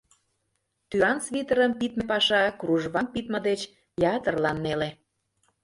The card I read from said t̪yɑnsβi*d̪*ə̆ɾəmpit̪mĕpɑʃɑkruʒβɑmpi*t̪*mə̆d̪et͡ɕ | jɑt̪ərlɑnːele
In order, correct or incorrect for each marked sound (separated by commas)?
incorrect, correct